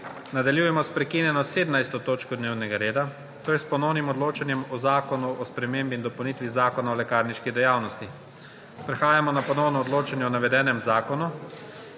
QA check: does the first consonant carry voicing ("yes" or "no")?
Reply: yes